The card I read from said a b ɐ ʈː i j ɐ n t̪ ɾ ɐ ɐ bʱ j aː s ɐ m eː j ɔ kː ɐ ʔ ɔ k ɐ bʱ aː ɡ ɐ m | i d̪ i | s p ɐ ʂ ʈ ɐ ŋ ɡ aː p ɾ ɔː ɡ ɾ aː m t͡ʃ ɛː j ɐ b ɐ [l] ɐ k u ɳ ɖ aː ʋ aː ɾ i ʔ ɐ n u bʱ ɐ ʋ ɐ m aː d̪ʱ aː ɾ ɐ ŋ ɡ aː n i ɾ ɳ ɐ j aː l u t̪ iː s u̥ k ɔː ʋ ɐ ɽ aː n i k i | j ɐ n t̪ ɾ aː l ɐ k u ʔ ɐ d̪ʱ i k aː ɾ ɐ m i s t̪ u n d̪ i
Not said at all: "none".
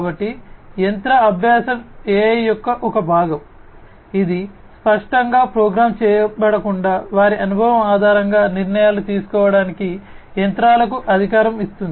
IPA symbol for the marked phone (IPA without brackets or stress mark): ɽ